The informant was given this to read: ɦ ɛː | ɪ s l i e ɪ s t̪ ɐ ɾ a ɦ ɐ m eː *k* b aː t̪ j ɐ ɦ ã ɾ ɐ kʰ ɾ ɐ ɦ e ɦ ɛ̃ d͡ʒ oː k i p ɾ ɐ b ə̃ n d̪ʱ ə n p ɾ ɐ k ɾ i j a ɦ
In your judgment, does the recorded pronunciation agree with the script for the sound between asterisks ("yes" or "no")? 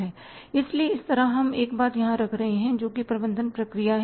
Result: yes